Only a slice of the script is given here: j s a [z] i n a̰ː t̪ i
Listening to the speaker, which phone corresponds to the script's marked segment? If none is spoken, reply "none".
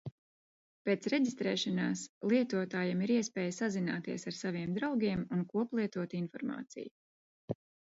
z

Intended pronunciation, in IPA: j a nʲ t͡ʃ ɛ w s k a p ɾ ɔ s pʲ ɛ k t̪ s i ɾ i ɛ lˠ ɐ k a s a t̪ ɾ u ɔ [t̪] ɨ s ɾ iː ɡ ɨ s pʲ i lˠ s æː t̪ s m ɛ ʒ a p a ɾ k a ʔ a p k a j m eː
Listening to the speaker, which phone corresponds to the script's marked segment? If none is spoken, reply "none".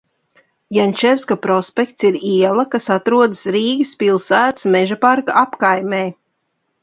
d̪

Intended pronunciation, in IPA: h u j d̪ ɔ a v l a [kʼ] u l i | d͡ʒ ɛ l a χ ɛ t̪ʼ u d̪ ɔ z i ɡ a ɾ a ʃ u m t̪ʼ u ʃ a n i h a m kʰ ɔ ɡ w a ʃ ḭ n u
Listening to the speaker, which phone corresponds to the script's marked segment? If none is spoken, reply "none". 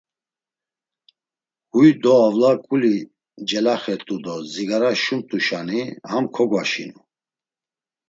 kʼ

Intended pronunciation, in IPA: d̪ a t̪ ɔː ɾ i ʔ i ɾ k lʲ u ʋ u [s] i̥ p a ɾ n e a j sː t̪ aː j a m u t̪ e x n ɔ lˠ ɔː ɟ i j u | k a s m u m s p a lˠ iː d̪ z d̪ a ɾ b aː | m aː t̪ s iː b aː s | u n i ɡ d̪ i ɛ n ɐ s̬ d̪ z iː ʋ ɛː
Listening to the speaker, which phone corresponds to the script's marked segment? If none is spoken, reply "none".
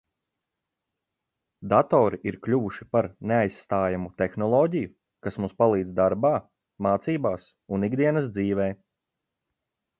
ʃ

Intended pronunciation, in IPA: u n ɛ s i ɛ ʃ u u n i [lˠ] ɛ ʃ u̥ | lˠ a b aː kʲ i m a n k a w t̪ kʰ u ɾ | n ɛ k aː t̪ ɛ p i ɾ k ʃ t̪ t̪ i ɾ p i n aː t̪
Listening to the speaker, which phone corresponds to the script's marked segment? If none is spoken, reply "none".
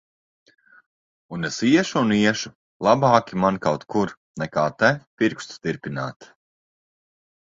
none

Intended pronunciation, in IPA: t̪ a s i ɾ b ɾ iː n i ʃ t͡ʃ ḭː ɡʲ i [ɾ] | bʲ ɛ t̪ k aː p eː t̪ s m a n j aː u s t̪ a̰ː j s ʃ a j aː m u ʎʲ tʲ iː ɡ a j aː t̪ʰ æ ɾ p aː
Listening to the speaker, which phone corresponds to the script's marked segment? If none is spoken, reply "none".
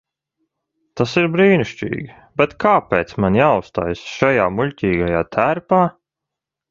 none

